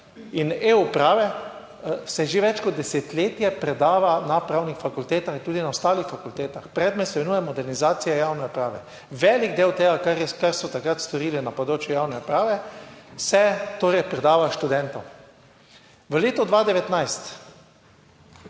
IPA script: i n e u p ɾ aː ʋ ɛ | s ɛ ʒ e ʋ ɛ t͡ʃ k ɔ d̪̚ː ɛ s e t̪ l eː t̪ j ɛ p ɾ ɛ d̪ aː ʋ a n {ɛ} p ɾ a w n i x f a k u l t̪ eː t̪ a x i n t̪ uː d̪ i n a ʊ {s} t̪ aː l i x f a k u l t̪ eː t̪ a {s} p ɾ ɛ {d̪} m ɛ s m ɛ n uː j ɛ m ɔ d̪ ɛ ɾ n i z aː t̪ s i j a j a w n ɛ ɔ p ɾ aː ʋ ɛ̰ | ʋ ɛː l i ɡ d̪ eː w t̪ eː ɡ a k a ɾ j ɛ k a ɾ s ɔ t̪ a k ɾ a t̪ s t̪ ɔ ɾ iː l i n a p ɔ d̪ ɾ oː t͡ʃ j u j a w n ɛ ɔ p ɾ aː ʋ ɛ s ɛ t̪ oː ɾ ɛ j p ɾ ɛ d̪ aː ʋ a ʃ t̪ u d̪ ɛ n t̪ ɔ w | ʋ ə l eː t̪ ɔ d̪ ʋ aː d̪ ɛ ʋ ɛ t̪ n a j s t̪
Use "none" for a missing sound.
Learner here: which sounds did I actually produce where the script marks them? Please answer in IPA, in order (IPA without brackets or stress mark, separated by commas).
a, s, x, d̪